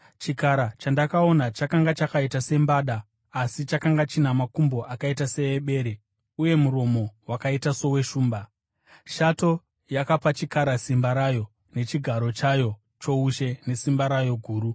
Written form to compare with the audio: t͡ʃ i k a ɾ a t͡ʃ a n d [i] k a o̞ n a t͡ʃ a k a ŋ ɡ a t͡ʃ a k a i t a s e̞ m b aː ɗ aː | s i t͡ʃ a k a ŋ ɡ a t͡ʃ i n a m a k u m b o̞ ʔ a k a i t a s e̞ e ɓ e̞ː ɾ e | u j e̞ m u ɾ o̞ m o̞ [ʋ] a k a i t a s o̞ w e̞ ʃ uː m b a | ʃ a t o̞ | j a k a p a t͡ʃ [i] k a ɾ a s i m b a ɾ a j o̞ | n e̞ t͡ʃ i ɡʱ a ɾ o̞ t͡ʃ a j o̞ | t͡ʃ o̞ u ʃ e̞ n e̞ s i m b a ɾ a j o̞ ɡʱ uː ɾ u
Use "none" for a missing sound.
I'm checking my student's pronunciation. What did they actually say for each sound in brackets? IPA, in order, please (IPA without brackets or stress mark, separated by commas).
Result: a, w, i